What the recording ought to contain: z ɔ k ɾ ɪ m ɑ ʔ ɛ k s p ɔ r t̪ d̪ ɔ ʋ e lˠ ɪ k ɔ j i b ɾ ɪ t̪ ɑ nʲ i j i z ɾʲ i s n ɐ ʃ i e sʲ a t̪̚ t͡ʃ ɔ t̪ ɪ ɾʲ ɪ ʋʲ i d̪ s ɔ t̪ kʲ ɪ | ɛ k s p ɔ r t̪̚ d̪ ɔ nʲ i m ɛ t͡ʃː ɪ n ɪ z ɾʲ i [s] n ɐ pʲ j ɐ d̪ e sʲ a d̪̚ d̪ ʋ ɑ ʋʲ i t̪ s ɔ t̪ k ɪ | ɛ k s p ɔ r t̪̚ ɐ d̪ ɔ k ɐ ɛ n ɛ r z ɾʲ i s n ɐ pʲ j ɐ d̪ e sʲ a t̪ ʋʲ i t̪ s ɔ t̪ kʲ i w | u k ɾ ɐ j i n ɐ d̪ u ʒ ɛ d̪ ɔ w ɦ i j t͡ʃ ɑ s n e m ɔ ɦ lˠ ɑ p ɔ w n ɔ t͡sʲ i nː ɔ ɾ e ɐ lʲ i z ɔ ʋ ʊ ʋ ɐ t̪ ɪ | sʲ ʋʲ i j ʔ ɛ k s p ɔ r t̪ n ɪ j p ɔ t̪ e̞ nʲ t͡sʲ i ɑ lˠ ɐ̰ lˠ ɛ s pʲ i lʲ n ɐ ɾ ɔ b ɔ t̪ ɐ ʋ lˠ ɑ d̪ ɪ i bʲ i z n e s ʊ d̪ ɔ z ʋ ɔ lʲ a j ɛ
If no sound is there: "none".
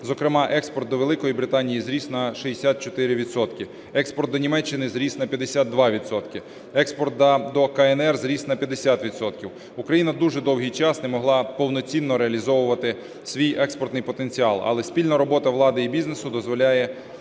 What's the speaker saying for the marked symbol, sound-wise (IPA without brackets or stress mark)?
s